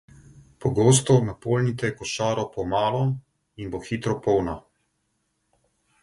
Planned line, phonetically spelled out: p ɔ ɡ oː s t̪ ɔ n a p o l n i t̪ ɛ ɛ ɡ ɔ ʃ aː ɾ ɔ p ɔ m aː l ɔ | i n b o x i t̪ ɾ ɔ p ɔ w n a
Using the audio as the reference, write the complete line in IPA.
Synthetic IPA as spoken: p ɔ ɡ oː s t̪ ɔ n a p o l n i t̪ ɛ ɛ k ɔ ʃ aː ɾ ɔ p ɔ m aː l ɔ | i n b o x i t̪ ɾ ɔ p ɔ w n a

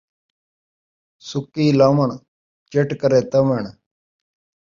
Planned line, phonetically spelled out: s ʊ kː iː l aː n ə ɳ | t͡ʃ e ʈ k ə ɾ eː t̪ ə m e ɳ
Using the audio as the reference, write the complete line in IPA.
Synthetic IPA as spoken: s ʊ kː iː l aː m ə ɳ | t͡ʃ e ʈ k ə ɾ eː t̪ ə m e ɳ

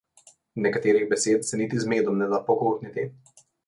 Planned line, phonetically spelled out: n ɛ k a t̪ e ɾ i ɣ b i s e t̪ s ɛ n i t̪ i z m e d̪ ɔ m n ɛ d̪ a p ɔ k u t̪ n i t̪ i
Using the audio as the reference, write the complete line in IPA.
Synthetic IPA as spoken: n ɛ k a t̪ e ɾ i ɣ b ɛ s e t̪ s ɛ n i t̪ i z m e d̪ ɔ m n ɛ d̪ a p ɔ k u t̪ n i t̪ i

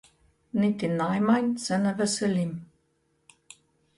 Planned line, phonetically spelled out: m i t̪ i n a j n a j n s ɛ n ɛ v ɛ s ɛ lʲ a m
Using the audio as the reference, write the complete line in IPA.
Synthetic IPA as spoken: n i t̪ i n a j m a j n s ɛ n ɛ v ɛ s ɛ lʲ i m

